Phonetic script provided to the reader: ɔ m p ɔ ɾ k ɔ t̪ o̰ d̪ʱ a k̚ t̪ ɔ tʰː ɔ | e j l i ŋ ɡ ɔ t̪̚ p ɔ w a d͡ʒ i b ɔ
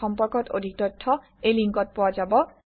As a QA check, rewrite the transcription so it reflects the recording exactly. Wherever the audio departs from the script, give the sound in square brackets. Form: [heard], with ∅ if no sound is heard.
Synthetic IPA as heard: ɔ m p ɔ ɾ k ɔ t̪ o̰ d̪ʱ [i] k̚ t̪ ɔ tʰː ɔ | e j l i ŋ [k] ɔ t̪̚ p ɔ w a d͡ʒ [a] b ɔ